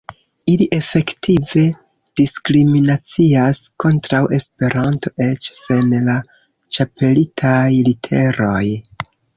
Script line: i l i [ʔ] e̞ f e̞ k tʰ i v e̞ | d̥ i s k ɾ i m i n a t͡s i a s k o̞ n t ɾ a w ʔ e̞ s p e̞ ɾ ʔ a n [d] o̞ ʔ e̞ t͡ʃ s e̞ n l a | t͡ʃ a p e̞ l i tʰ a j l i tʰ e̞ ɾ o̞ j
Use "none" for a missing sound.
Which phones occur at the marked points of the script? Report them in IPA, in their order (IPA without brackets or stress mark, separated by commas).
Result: ʔ, t